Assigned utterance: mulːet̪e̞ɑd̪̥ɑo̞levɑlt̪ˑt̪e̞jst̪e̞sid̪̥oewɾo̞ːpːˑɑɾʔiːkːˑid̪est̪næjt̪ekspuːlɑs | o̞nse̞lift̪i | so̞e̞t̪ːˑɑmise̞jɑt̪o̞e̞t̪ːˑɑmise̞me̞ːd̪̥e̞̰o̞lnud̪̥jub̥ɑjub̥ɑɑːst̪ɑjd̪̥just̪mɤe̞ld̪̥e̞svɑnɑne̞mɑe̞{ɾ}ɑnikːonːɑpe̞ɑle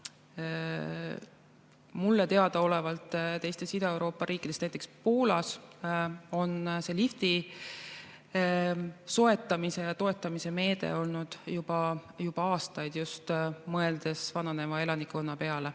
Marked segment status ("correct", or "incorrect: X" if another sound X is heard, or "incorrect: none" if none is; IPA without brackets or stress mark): incorrect: l